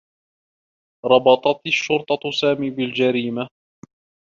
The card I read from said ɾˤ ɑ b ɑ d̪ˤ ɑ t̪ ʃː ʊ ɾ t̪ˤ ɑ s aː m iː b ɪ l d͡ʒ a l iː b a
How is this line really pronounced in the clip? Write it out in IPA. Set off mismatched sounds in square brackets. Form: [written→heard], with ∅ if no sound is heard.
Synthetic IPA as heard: ɾˤ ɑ b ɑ [d̪ˤ→t̪ˤ] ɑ t̪ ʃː ʊ ɾ t̪ˤ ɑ s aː m iː b ɪ l d͡ʒ a [l→ɾ] iː [b→m] a